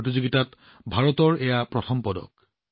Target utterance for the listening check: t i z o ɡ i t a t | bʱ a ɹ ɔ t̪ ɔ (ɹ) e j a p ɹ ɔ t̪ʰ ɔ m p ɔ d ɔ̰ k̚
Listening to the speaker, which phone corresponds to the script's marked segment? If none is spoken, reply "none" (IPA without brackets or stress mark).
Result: ɹ